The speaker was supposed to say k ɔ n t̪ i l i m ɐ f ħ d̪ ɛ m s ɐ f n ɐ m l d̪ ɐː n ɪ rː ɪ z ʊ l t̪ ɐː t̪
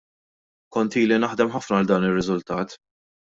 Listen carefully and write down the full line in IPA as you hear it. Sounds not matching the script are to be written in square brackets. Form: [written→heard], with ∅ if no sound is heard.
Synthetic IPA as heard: k ɔ n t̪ [i→iː] l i [m→n] ɐ [f→∅] ħ d̪ ɛ m [s→ħ] ɐ f n ɐ [m→∅] l d̪ ɐː n ɪ rː ɪ z ʊ l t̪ ɐː t̪